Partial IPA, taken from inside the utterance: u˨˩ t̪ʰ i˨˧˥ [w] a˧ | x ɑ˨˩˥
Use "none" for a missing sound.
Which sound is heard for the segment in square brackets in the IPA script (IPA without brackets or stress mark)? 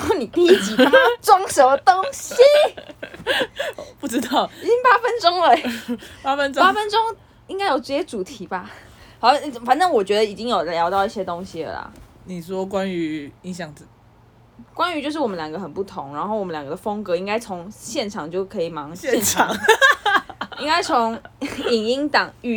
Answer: b